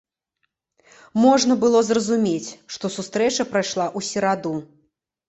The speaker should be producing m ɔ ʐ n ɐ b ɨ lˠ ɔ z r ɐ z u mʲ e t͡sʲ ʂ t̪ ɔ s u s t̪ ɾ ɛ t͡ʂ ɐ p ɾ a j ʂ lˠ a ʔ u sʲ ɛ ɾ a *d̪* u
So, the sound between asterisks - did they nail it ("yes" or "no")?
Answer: yes